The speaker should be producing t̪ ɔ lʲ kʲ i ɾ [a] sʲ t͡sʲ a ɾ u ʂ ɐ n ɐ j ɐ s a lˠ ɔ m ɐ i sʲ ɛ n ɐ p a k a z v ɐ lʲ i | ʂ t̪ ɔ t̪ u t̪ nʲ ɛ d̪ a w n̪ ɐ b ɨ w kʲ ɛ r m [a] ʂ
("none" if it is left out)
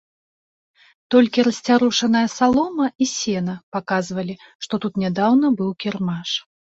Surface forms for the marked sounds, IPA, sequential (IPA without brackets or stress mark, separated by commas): ɐ, a